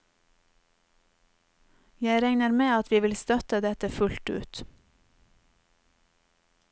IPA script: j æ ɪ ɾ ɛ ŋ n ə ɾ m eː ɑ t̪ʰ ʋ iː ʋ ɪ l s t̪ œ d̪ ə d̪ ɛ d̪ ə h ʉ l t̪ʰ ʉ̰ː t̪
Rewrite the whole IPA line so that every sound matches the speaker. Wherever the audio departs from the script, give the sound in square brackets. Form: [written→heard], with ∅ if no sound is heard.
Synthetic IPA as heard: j æ ɪ ɾ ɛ ŋ n ə ɾ m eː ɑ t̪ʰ ʋ iː ʋ ɪ l s t̪ œ [d̪→t̪] ə d̪ ɛ [d̪→t̪] ə [h→f] ʉ l [t̪ʰ→t̪] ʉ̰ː t̪

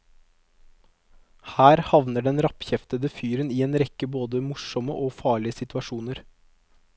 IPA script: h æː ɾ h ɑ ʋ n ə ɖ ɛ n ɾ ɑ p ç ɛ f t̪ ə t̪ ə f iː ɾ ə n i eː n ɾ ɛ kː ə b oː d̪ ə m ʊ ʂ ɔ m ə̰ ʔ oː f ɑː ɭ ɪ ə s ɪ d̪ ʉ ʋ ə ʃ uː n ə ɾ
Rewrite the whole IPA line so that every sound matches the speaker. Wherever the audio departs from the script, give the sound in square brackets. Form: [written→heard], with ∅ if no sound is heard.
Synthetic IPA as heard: h æː ɾ h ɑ ʋ n ə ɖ ɛ n ɾ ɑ p ç ɛ f t̪ ə [t̪→d̪] ə f [iː→yː] ɾ ə n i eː n ɾ ɛ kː ə b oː d̪ ə m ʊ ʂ ɔ m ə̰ ʔ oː f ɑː ɭ ɪ ə s ɪ [d̪→t̪] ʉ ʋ [ə→ɑ] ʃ uː n ə ɾ

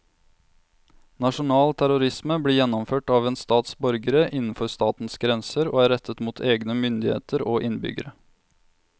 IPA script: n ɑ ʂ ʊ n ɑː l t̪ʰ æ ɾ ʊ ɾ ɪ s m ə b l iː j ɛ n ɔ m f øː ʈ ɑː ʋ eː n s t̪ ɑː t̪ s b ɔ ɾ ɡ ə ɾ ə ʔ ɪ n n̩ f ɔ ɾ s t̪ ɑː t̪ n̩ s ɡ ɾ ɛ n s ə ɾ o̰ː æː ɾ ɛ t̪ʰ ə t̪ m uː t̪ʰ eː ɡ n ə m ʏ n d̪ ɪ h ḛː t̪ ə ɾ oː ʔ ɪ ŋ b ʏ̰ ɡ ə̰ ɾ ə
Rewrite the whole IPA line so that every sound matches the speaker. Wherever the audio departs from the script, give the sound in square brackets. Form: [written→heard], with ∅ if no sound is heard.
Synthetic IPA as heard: n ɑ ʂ ʊ n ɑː l t̪ʰ æ ɾ ʊ ɾ ɪ s m ə b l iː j ɛ n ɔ m f øː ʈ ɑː ʋ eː n s t̪ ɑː t̪ s b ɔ ɾ ɡ ə ɾ ə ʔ ɪ n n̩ f ɔ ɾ s t̪ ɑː t̪ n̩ s ɡ ɾ ɛ n s ə ɾ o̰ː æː ɾ ɛ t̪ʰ ə t̪ m uː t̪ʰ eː ɡ n ə m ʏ n d̪ ɪ h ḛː t̪ ə ɾ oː ʔ ɪ [ŋ→n] b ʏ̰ ɡ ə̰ ɾ ə

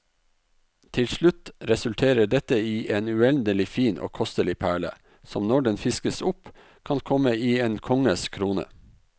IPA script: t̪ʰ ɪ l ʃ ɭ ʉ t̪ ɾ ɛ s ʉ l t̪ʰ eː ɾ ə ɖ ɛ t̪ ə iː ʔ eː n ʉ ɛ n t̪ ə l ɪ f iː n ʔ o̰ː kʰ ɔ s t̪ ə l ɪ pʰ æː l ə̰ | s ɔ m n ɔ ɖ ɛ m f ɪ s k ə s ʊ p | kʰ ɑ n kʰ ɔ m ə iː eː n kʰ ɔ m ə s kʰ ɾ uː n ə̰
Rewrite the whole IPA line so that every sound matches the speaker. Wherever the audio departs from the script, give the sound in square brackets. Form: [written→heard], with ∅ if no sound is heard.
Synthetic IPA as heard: t̪ʰ ɪ l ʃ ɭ ʉ t̪ ɾ ɛ s ʉ l t̪ʰ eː ɾ ə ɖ ɛ t̪ ə iː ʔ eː n ʉ ɛ n [t̪→d̪] ə l ɪ f iː n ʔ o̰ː kʰ ɔ s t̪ ə l ɪ pʰ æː [l→ɭ] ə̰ | s ɔ m n ɔ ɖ ɛ [m→n] f ɪ s k ə s ʊ p | kʰ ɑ n kʰ ɔ m ə iː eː n kʰ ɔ [m→ŋ] ə s kʰ ɾ uː n ə̰

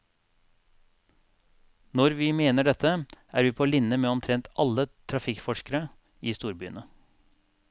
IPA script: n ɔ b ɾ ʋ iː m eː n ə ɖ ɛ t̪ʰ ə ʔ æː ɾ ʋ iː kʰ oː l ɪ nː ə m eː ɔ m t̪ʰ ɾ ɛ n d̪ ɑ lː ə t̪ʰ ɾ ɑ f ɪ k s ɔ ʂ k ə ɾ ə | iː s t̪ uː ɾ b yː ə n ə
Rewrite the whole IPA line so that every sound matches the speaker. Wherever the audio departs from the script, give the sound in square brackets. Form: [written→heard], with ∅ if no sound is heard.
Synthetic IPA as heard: n ɔ [b→∅] ɾ ʋ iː m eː n ə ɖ ɛ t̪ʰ ə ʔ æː ɾ ʋ iː [kʰ→pʰ] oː l ɪ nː ə m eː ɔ m t̪ʰ ɾ ɛ n [d̪→t̪] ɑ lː ə t̪ʰ ɾ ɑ f ɪ k [s→f] ɔ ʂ k ə ɾ ə | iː s t̪ uː ɾ b yː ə n ə

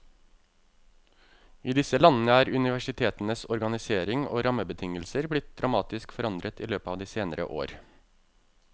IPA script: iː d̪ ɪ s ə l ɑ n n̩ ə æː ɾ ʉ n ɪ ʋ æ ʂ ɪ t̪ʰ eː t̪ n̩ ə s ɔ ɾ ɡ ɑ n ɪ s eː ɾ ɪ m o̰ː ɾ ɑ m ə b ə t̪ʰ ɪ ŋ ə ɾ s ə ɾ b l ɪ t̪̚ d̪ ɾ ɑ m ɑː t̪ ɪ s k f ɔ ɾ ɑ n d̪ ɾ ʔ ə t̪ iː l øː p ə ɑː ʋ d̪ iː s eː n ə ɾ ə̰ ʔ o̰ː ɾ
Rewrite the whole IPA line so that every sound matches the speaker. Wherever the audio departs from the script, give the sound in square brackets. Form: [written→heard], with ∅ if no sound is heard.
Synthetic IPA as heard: iː d̪ ɪ s ə l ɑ n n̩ ə æː ɾ ʉ n ɪ ʋ æ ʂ ɪ t̪ʰ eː t̪ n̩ ə s ɔ ɾ ɡ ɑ n ɪ s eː ɾ ɪ [m→ŋ] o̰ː ɾ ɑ m ə b ə t̪ʰ ɪ ŋ ə [ɾ→l] s ə ɾ b l ɪ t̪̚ d̪ ɾ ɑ m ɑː t̪ ɪ s k f ɔ ɾ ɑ n d̪ ɾ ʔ ə t̪ iː l øː p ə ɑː ʋ d̪ iː s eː n ə ɾ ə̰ ʔ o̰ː ɾ

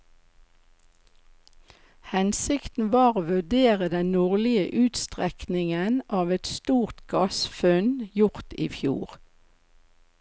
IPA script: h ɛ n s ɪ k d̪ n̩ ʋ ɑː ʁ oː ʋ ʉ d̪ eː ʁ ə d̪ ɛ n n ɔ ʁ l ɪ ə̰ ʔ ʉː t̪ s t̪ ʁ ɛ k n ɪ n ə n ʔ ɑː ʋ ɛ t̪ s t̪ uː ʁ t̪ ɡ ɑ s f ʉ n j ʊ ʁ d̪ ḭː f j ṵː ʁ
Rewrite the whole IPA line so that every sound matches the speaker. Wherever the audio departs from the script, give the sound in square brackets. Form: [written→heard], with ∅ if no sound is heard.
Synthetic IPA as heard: h ɛ n s ɪ k [d̪→t̪] n̩ ʋ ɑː ʁ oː ʋ ʉ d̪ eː ʁ ə d̪ ɛ n n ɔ ʁ l ɪ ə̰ ʔ ʉː t̪ s t̪ ʁ ɛ k n ɪ [n→ŋ] ə n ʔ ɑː ʋ ɛ t̪ s t̪ uː ʁ t̪ ɡ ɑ s f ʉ n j ʊ ʁ [d̪→t̪] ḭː f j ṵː ʁ

